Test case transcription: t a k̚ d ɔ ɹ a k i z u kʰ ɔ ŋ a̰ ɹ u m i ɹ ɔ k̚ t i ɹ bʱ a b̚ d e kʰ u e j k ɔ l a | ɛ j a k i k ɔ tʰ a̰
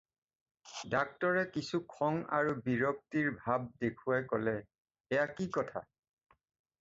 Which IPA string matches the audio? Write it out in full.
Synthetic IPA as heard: d a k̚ t ɔ ɹ ɛ k i s u kʰ ɔ ŋ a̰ ɹ u b i ɹ ɔ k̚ t i ɹ bʱ a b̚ d e kʰ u a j k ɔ l ɛ | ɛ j a k i k ɔ tʰ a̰